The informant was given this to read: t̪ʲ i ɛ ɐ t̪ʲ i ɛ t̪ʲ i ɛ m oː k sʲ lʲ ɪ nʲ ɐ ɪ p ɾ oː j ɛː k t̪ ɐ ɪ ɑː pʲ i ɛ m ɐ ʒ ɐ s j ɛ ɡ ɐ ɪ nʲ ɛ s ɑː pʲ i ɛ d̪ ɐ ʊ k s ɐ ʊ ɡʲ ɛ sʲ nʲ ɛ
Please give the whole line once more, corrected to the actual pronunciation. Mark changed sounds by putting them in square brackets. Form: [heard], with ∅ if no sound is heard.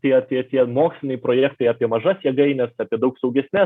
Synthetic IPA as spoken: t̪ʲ i ɛ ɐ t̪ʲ i ɛ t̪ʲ i ɛ m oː k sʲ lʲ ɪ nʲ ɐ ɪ p ɾ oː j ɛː k t̪ ɐ ɪ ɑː pʲ i ɛ m ɐ ʒ ɐ s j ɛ ɡ ɐ ɪ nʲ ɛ s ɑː pʲ i ɛ d̪ ɐ ʊ k s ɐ ʊ ɡʲ ɛ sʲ nʲ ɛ